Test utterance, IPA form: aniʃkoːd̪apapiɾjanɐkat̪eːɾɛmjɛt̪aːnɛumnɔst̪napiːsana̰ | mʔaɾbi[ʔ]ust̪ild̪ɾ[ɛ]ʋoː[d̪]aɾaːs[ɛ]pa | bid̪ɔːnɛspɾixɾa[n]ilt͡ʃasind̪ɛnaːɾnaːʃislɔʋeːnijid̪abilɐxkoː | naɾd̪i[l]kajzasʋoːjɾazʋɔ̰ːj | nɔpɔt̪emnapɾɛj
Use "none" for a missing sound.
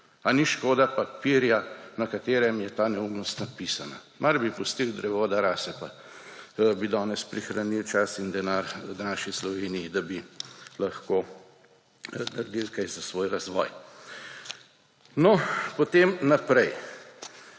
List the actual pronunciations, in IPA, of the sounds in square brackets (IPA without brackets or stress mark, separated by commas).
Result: p, ɛ, d̪, ɛ, n, l